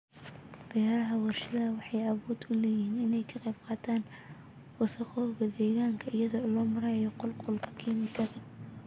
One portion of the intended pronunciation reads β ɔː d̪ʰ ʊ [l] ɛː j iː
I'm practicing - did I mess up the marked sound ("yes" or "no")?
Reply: no